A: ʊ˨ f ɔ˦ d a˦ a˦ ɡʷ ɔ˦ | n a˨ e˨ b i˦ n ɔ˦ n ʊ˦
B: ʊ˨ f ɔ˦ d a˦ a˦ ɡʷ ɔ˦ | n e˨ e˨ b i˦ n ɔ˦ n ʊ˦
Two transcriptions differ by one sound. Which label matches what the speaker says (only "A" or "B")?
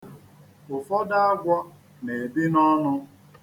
B